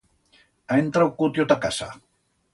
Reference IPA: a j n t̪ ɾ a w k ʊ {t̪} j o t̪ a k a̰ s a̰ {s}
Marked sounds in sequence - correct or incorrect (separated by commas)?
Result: correct, incorrect